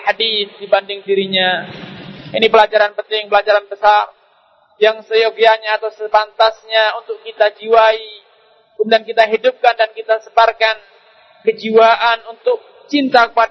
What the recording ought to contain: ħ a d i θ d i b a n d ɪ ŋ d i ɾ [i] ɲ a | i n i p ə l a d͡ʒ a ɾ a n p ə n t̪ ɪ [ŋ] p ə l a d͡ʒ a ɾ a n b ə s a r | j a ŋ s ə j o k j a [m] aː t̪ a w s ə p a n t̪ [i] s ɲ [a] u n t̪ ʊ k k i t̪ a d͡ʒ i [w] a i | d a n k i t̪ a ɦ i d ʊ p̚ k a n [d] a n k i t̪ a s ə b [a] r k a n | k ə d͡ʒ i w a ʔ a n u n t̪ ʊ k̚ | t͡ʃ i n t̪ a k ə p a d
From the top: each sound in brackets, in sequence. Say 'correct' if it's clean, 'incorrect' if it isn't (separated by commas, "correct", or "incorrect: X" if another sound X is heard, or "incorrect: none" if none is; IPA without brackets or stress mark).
correct, correct, incorrect: ɲ, incorrect: a, correct, correct, correct, correct